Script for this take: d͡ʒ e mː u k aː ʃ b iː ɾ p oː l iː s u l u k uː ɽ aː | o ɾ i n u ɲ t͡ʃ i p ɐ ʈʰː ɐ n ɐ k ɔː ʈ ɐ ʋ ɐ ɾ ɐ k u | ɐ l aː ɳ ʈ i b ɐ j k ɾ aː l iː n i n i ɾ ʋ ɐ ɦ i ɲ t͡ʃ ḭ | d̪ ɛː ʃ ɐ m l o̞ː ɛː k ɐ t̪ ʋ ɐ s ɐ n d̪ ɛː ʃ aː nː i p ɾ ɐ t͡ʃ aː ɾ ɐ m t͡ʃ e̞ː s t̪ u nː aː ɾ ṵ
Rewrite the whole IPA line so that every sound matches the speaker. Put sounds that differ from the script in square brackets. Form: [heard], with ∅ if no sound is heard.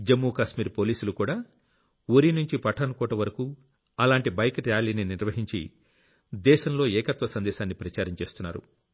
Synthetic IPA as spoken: d͡ʒ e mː u k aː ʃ [m] iː ɾ p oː l iː s u l u k uː ɽ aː | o ɾ i n u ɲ t͡ʃ i p ɐ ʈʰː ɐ n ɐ k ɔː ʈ ɐ ʋ ɐ ɾ ɐ k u | ɐ l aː ɳ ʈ i b ɐ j k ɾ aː l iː n i n i ɾ ʋ ɐ ɦ i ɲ t͡ʃ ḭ | d̪ ɛː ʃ ɐ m l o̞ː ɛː k ɐ t̪ ʋ ɐ s ɐ n d̪ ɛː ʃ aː nː i p ɾ ɐ t͡ʃ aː ɾ ɐ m t͡ʃ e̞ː s t̪ u nː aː ɾ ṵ

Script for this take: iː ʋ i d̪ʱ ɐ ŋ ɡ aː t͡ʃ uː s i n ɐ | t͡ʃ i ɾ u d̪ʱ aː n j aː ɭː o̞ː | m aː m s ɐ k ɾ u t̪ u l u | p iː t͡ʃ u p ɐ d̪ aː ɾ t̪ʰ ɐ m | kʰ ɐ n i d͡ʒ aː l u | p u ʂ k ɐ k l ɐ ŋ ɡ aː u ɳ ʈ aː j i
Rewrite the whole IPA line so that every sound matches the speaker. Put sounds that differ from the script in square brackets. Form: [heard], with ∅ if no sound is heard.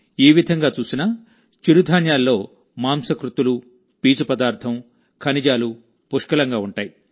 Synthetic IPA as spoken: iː ʋ i d̪ʱ ɐ ŋ ɡ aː t͡ʃ uː s i n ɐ | t͡ʃ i ɾ u d̪ʱ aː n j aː [lː] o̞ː | m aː m s ɐ k ɾ u t̪ u l u | p iː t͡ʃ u p ɐ d̪ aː ɾ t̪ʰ ɐ m | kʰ ɐ n i d͡ʒ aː l u | p u ʂ k ɐ [∅] l ɐ ŋ ɡ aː u ɳ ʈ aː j i

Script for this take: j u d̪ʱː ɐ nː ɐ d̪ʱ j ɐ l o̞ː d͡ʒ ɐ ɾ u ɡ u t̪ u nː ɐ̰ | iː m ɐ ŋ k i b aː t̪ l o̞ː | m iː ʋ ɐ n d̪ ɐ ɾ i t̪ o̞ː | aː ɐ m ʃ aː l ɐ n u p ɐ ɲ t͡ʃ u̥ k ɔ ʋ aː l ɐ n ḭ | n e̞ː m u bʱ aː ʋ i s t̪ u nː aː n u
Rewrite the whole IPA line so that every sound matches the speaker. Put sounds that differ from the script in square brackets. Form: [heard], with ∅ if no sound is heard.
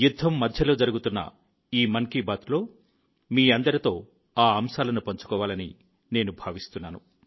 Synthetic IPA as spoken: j u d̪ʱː ɐ [mː] ɐ d̪ʱ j ɐ l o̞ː d͡ʒ ɐ ɾ u ɡ u t̪ u nː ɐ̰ | iː m ɐ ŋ k i b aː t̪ l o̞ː | m iː [∅] ɐ n d̪ ɐ ɾ i t̪ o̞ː | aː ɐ m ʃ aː l ɐ n u p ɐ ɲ t͡ʃ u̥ k [ɔː] ʋ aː l ɐ n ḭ | n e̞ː [n] u bʱ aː ʋ i s t̪ u nː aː n u

